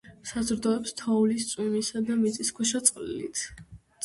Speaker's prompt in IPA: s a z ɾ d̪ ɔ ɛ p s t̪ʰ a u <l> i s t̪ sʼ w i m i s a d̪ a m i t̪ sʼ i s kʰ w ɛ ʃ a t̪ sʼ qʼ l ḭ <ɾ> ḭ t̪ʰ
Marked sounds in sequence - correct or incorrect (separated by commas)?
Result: correct, incorrect